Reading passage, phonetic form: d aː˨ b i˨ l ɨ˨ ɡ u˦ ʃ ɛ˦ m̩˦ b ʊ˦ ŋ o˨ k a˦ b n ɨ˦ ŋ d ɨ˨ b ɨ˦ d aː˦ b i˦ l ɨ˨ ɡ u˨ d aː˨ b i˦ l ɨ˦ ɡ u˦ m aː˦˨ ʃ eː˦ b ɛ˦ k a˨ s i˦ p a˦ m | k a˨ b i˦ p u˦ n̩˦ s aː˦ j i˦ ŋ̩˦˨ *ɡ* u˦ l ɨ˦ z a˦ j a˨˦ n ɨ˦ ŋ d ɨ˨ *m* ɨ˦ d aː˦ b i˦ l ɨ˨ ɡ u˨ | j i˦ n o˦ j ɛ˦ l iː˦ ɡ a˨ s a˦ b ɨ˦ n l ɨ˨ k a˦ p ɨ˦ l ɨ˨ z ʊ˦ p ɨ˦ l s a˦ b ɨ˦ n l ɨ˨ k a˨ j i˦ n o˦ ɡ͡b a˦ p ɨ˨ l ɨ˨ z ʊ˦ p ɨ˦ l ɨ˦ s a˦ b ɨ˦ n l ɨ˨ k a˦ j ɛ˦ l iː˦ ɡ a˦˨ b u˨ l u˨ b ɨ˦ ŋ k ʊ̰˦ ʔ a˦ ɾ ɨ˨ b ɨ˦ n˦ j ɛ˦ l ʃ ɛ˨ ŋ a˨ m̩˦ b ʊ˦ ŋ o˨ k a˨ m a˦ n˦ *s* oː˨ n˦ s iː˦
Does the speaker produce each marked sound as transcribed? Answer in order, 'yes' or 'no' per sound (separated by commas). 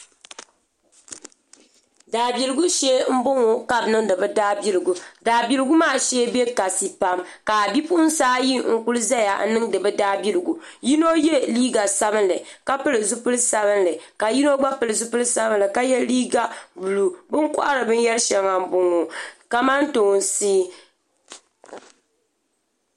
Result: no, no, no